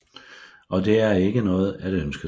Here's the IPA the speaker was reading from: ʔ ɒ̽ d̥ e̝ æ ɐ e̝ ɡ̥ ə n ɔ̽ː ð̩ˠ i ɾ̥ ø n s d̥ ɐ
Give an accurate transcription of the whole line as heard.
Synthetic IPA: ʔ ɒ̽ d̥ e̝ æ ɐ e̝ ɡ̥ ə n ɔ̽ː ð̩ˠ æ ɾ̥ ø n s ɡ̥ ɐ